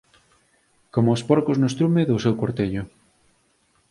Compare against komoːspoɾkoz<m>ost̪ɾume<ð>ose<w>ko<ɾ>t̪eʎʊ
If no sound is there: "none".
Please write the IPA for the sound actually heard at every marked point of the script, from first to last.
n, ð, w, ɾ

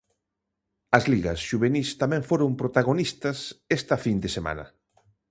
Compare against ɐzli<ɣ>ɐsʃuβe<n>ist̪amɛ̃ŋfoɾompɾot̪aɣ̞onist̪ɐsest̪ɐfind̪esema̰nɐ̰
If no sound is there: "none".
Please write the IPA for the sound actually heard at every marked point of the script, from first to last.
ɣ, n

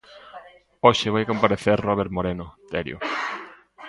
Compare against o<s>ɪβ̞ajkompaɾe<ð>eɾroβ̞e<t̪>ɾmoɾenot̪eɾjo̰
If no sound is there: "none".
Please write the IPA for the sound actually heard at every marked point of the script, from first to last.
ʃ, θ, none

